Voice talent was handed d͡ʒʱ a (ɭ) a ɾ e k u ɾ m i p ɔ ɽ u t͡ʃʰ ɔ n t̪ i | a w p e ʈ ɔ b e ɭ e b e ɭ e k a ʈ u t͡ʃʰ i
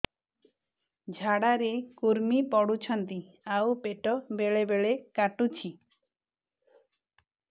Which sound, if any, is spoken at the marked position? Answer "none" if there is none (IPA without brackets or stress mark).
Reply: ɽ